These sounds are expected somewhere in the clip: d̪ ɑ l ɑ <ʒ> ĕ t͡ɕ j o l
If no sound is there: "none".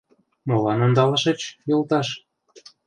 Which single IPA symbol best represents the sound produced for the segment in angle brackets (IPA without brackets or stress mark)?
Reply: ʃ